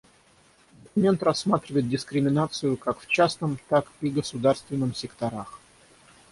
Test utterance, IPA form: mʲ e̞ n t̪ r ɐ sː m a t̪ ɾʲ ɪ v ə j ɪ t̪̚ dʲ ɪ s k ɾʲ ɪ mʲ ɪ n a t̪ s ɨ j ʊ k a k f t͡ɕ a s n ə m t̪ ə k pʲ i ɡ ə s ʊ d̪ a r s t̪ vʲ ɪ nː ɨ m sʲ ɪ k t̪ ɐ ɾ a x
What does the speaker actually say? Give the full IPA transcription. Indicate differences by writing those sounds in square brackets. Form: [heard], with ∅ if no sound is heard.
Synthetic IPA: mʲ e̞ n t̪ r ɐ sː m a t̪ ɾʲ ɪ v ə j ɪ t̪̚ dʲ ɪ s k ɾʲ ɪ mʲ ɪ n a t̪ s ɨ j ʊ k a k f t͡ɕ a s n ə m t̪ [a] k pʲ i ɡ ə s ʊ d̪ a r s t̪ vʲ ɪ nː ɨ m sʲ ɪ k t̪ ɐ ɾ a x